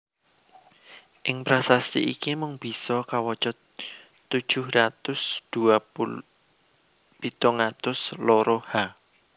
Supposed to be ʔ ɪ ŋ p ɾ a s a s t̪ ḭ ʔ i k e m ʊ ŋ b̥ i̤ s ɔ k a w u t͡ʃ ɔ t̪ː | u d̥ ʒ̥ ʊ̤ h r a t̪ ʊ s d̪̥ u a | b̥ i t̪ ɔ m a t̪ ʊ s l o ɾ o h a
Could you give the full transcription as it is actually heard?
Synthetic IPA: ʔ ɪ ŋ p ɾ a s a s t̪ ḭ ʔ i k i m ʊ ŋ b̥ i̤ s ɔ k a w ɔ t͡ʃ ɔ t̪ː | u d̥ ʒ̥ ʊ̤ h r a t̪ ʊ s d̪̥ u a | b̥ i t̪ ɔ ŋ a t̪ ʊ s l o ɾ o h a

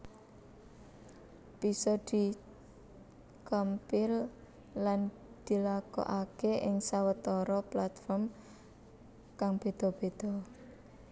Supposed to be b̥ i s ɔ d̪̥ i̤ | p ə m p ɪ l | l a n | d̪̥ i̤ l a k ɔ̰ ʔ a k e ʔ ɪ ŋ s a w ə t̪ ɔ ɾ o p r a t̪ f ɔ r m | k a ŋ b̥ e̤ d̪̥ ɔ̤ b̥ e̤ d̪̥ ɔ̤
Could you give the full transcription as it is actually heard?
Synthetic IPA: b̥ i s ɔ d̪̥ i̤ | k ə m p ɪ l | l a n | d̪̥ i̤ l a k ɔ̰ ʔ a k e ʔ ɪ ŋ s a w ə t̪ ɔ ɾ ɔ p l a t̪ f ɔ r m | k a ŋ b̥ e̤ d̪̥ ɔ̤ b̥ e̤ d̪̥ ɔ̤

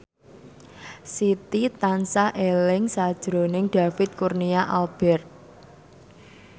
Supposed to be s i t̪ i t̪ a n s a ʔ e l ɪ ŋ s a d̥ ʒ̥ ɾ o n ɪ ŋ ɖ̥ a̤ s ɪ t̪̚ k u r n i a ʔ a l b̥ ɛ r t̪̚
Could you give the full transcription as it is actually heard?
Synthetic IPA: s i t̪ i t̪ a n s a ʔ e l ɪ ŋ s a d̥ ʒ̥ ɾ o n ɪ ŋ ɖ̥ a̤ f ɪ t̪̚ k u r n i a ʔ a l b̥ ɛ r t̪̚

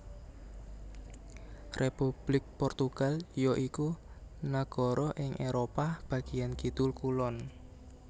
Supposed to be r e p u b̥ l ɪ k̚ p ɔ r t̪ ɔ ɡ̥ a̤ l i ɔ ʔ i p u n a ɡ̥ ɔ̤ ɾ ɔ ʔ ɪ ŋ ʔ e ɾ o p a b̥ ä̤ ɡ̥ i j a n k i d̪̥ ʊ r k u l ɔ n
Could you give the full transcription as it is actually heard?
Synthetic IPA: r e p u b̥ l ɪ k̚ p ɔ r t̪ u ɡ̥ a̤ l j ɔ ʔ i k u n a ɡ̥ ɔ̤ ɾ ɔ ʔ ɪ ŋ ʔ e ɾ o p a b̥ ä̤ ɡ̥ i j a n k i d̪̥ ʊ l k u l ɔ n

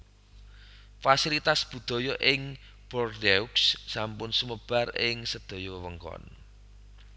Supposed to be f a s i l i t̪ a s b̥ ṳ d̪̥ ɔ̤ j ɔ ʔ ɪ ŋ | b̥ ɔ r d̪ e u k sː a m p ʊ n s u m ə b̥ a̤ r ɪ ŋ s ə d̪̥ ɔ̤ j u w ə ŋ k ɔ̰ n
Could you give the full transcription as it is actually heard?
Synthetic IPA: f a s i l i t̪ a s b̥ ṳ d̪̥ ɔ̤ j ɔ ʔ ɪ ŋ | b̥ ɔ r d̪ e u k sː a m p ʊ n s u m ə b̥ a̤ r ɪ ŋ s ə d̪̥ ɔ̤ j ɔ w ə ŋ k ɔ̰ n

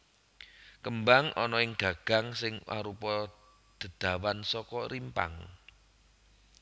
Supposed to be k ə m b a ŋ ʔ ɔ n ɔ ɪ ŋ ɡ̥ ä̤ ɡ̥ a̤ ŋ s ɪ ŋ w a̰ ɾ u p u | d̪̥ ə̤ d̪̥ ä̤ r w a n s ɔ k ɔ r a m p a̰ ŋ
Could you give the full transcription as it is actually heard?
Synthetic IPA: k ə m b a ŋ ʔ ɔ n ɔ ɪ ŋ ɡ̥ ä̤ ɡ̥ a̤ ŋ s ɪ ŋ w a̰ ɾ u p ɔ | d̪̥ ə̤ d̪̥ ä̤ w a n s ɔ k ɔ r i m p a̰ ŋ

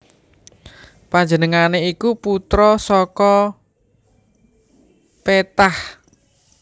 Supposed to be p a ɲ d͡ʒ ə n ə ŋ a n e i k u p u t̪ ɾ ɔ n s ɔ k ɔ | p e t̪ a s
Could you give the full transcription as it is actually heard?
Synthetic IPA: p a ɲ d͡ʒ ə n ə ŋ a n e i k u p u t̪ ɾ ɔ s ɔ k ɔ | p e t̪ a h

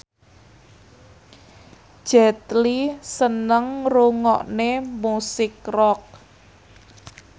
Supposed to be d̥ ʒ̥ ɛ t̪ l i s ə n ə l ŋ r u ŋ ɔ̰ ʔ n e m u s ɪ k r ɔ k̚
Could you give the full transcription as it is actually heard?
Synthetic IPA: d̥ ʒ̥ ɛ t̪ l i s ə n ə ŋ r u ŋ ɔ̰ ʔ n e m u s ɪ k r ɔ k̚

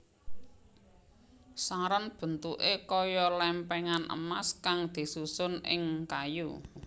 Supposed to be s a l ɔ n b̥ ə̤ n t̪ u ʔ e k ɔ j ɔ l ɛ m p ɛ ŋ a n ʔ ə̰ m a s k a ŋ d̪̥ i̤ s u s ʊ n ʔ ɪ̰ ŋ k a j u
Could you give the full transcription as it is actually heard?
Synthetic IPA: s a ɾ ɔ n b̥ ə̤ n t̪ u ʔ e k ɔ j ɔ l ɛ m p ɛ ŋ a n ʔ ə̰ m a s k a ŋ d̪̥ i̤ s u s ʊ n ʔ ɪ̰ ŋ k a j u

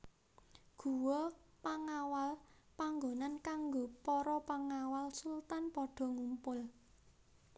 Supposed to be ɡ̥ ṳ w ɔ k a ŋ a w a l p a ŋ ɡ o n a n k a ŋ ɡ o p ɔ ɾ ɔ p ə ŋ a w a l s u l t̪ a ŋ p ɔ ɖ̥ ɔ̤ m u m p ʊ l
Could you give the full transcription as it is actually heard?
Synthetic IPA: ɡ̥ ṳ w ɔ p a ŋ a w a l p a ŋ ɡ o n a n k a ŋ ɡ o p ɔ ɾ ɔ p a ŋ a w a l s u l t̪ a n p ɔ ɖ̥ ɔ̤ ŋ u m p ʊ l

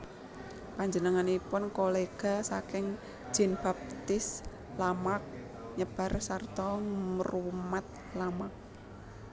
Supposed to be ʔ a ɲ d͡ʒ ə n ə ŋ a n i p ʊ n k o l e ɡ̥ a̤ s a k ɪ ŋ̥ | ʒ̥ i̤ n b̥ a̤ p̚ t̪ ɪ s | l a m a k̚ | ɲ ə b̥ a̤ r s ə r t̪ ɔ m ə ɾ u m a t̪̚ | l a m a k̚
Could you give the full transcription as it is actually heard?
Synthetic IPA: p a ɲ d͡ʒ ə n ə ŋ a n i p ʊ n k o l e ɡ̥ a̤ s a k ɪ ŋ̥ | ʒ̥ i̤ n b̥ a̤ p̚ t̪ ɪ s | l a m a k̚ | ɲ ə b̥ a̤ r s a r t̪ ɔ m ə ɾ u m a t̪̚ | l a m a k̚

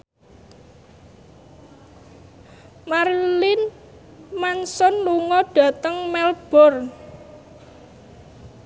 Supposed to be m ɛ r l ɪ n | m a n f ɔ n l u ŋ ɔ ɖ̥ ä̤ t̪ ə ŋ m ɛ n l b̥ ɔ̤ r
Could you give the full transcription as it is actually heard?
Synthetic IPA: m a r l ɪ n | m a n s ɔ n l u ŋ ɔ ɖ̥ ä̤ t̪ ə ŋ m ɛ l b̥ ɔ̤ r

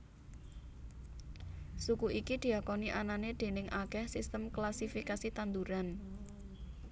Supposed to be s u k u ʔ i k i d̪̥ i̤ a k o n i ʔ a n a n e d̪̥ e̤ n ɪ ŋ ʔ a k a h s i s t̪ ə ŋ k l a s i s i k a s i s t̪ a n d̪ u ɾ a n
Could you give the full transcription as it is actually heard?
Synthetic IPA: s u k u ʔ i k i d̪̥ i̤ a k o n i ʔ a n a n e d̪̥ e̤ n ɪ ŋ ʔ a k ɛ h s i s t̪ ə m k l a s i f i k a s i t̪ a n d̪ u ɾ a n

